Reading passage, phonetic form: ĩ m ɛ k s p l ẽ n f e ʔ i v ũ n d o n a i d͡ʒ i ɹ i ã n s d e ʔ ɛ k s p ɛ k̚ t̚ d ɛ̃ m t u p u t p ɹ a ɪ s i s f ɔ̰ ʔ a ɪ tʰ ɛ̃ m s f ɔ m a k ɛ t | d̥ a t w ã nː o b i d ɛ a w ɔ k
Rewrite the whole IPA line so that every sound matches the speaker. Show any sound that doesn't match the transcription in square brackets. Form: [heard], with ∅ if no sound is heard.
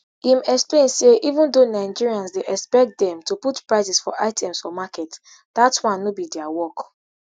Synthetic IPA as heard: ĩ m ɛ k s p l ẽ n [s] e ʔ i v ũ n d o n a [ɪ] d͡ʒ i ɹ i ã n s d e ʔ ɛ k s p ɛ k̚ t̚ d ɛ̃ m t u p u t p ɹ a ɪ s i s f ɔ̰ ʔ a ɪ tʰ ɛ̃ m s f ɔ m a k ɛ t | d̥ a t w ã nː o b i d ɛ a w ɔ k